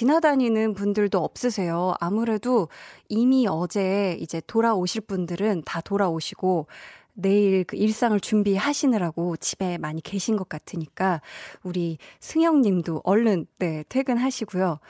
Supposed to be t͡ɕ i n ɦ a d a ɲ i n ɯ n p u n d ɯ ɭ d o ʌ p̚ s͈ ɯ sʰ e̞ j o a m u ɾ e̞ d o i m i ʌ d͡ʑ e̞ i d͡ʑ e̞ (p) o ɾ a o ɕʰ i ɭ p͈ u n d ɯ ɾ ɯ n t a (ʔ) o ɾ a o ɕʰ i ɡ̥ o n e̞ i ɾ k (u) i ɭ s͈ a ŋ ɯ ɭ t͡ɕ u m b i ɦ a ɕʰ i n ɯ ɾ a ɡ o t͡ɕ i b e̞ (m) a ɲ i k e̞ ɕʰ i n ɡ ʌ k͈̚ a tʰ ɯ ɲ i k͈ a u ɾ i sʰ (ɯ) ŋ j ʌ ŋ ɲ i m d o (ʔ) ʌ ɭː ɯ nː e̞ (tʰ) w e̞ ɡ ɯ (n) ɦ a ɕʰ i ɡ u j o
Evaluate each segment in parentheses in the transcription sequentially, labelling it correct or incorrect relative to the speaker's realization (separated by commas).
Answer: incorrect, incorrect, incorrect, correct, correct, correct, correct, correct